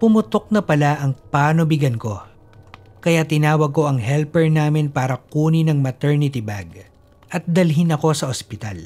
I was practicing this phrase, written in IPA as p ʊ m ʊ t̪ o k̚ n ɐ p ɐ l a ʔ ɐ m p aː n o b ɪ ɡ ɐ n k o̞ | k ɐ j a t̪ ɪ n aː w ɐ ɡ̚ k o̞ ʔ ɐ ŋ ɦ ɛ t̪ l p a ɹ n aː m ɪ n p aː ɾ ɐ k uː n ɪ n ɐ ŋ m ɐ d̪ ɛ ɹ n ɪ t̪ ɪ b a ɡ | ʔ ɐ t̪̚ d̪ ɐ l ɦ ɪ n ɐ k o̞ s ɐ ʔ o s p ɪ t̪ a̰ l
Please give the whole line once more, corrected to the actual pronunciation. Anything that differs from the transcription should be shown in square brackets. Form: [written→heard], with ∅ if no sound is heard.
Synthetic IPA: p ʊ m ʊ t̪ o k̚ n ɐ p ɐ l a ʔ ɐ [m→ŋ] p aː n o b ɪ ɡ ɐ n k o̞ | k ɐ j a t̪ ɪ n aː w ɐ ɡ̚ k o̞ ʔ ɐ ŋ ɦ ɛ [t̪→∅] l p [a→ɛ] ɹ n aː m ɪ n p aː ɾ ɐ k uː n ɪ n ɐ ŋ m ɐ [d̪→t̪] ɛ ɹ n ɪ t̪ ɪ b a ɡ | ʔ ɐ t̪̚ d̪ ɐ l ɦ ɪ n ɐ k o̞ s ɐ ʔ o s p ɪ t̪ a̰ l